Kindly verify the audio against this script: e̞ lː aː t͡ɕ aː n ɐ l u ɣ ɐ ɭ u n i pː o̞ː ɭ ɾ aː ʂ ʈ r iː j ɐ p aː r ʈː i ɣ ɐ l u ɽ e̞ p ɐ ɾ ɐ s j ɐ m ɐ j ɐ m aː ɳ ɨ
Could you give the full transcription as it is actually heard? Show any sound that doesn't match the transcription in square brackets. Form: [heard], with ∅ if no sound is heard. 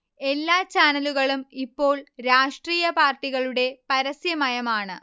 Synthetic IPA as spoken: e̞ lː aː t͡ɕ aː n ɐ l u ɣ ɐ ɭ u [m] i pː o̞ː ɭ ɾ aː ʂ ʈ r iː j ɐ p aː r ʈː i ɣ ɐ [ɭ] u ɽ e̞ p ɐ ɾ ɐ s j ɐ m ɐ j ɐ m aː ɳ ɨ

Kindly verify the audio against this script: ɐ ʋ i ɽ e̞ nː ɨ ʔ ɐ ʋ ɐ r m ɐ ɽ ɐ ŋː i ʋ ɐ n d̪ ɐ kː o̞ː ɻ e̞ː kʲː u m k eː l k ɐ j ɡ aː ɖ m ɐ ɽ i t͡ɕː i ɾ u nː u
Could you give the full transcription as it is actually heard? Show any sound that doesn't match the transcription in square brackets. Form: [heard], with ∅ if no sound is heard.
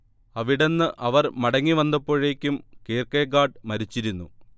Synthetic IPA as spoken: ɐ ʋ i ɽ e̞ nː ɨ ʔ ɐ ʋ ɐ r m ɐ ɽ ɐ ŋː i ʋ ɐ n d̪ ɐ [pː] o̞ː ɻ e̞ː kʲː u m k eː [r] k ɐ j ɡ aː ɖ m ɐ [ɾ] i t͡ɕː i ɾ u nː u

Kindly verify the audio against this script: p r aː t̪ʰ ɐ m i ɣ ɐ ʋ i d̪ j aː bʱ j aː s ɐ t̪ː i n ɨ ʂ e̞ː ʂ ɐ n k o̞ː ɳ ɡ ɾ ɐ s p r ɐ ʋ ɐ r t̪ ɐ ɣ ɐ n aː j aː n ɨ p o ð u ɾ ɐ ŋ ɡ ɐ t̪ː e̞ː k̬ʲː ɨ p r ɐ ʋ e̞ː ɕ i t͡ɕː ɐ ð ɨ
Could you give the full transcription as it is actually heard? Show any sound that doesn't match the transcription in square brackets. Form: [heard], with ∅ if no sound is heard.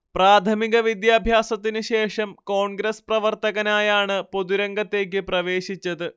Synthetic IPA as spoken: p r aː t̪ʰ ɐ m i ɣ ɐ ʋ i d̪ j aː bʱ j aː s ɐ t̪ː i n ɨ [ɕ] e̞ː ʂ ɐ [m] k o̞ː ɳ ɡ ɾ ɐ s p r ɐ ʋ ɐ r t̪ ɐ ɣ ɐ n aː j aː [ɳ] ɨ p o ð u ɾ ɐ ŋ ɡ ɐ t̪ː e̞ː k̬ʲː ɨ p r ɐ ʋ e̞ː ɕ i t͡ɕː ɐ ð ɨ

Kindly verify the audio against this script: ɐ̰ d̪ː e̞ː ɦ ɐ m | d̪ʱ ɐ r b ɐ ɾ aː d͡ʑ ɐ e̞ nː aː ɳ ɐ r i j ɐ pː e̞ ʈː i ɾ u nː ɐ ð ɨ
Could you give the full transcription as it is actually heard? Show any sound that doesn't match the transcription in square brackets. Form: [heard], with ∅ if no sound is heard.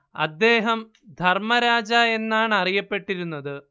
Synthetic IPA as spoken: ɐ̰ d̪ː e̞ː ɦ ɐ m | d̪ʱ ɐ r [m] ɐ ɾ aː d͡ʑ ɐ e̞ nː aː ɳ ɐ r i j ɐ pː e̞ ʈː i ɾ u nː ɐ ð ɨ

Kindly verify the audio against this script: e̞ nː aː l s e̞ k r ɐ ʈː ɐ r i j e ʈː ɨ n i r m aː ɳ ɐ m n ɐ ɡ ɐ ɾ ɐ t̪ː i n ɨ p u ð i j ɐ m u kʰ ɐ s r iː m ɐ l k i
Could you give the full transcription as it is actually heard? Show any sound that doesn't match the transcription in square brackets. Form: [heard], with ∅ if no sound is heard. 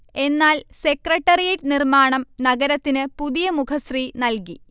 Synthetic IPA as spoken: e̞ nː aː l s e̞ k r ɐ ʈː ɐ r i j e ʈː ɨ n i r m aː ɳ ɐ m n ɐ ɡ ɐ ɾ ɐ t̪ː i n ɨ p u ð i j ɐ m u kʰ ɐ s r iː [n] ɐ l k i

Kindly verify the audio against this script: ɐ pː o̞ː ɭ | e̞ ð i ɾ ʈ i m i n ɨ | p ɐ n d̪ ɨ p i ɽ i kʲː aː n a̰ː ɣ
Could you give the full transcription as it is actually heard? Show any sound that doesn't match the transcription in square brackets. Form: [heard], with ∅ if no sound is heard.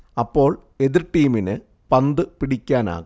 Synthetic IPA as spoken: ɐ pː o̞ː ɭ | e̞ ð i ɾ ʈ [iː] m i n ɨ | p ɐ n d̪ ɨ p i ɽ i kʲː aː n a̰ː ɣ

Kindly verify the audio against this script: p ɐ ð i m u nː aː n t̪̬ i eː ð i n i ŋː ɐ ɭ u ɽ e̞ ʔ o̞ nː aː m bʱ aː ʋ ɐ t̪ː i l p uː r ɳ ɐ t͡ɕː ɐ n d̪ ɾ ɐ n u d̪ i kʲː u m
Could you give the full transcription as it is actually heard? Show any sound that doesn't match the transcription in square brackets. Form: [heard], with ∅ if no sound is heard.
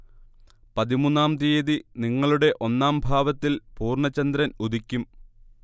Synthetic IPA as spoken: p ɐ ð i m u nː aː [m] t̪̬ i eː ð i n i ŋː ɐ ɭ u ɽ e̞ ʔ o̞ nː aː m bʱ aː ʋ ɐ t̪ː i l p uː r ɳ ɐ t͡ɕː ɐ n d̪ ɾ ɐ n u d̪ i kʲː u m

